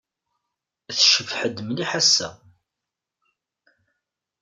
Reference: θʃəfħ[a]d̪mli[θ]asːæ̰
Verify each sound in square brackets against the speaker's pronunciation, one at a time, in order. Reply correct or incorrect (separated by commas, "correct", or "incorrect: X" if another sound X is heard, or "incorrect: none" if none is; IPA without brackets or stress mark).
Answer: incorrect: ə, incorrect: ħ